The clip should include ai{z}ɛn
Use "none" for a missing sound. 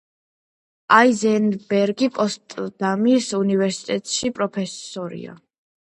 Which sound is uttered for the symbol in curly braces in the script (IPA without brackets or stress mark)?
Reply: z